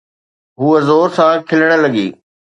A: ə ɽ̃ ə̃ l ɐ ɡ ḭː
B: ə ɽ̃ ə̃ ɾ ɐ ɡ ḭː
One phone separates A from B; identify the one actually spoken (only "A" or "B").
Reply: A